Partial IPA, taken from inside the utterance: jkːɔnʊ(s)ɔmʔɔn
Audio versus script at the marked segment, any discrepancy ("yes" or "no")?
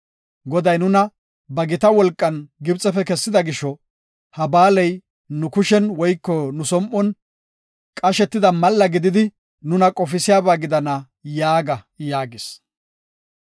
no